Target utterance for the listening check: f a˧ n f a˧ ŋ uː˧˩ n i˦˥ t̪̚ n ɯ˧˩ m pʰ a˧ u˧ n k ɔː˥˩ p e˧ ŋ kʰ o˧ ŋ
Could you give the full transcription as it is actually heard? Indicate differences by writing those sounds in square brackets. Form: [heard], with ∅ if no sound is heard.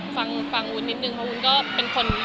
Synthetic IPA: f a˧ [ŋ] f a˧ ŋ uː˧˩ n i˦˥ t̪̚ n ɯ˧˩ [ŋ] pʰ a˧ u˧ n k ɔː˥˩ p e˧ [n] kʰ o˧ [n]